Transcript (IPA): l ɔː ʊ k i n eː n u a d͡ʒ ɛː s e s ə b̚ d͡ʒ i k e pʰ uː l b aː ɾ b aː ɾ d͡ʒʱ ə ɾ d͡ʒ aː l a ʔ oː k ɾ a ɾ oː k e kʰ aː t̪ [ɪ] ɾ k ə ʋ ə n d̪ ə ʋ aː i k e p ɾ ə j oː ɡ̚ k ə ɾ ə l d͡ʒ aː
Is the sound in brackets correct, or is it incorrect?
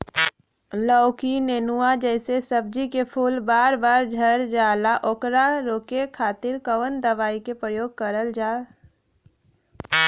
correct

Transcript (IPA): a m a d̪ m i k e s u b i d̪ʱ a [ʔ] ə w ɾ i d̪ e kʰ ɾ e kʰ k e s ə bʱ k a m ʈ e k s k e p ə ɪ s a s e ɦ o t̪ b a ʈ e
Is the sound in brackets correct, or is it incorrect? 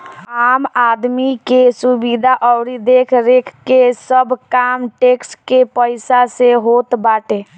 correct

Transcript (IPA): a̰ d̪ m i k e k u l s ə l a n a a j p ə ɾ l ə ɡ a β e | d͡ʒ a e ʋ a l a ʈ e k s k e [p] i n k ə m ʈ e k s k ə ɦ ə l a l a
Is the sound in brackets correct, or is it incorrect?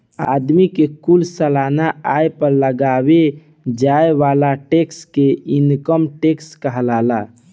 incorrect: none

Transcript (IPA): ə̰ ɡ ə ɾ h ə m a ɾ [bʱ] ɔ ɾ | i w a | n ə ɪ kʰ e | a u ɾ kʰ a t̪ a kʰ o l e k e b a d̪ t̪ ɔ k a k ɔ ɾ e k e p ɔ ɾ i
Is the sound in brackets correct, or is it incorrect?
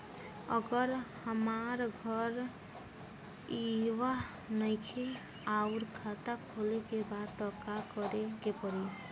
incorrect: ɡʱ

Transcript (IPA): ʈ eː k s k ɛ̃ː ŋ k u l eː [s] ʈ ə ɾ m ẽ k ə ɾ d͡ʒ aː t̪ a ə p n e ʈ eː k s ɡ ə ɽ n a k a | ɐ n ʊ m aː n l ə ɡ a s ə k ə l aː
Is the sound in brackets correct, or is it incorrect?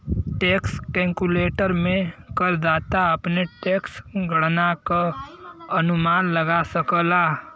incorrect: none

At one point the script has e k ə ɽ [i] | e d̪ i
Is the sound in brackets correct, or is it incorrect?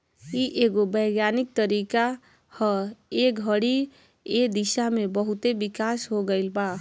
correct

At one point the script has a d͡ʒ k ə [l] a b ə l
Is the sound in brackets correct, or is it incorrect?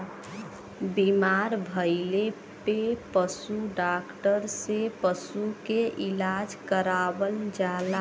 incorrect: ɾ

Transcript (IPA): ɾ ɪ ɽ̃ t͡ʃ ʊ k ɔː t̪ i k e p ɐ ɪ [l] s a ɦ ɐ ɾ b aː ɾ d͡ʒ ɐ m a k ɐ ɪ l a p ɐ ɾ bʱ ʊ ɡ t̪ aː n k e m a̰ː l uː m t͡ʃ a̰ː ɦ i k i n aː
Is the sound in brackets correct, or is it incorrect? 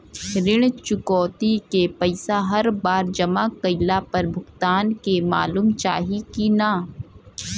incorrect: none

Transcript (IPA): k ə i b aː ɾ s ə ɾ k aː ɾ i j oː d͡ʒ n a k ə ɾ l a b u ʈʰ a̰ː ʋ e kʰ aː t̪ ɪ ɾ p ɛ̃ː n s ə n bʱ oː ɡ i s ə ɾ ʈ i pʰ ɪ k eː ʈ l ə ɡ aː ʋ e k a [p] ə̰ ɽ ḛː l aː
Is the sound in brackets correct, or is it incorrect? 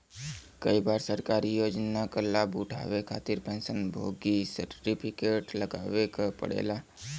correct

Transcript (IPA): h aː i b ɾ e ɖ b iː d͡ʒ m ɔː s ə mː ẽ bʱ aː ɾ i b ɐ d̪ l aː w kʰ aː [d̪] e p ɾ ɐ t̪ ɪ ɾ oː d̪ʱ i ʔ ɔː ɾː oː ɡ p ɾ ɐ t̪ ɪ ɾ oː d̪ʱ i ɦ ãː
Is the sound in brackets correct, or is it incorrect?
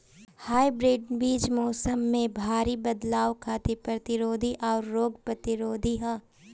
incorrect: t̪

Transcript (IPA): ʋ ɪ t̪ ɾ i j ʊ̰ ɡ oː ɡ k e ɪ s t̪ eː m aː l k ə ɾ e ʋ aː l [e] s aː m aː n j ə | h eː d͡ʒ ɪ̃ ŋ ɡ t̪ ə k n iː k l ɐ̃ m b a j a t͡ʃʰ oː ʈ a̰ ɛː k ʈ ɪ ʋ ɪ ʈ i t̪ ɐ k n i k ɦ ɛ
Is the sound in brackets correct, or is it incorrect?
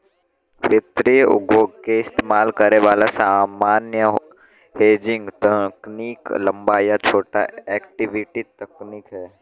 incorrect: a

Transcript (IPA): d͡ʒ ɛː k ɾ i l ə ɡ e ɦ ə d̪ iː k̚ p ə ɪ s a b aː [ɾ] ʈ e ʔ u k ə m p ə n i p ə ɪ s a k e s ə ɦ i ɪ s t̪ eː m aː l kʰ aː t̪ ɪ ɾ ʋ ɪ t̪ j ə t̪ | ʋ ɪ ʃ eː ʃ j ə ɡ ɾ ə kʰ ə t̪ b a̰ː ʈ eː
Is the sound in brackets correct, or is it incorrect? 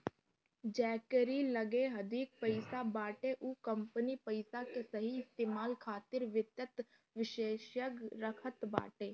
incorrect: none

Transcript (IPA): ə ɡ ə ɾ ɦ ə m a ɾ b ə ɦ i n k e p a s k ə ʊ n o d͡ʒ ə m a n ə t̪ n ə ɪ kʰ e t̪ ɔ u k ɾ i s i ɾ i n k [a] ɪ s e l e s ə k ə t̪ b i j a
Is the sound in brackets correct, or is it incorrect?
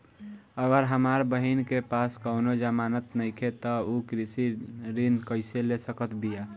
incorrect: ə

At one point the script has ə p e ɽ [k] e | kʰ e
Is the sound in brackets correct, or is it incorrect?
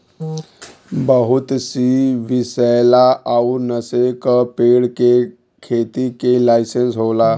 correct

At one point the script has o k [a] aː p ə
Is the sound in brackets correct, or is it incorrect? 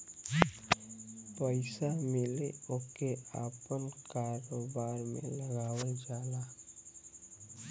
incorrect: e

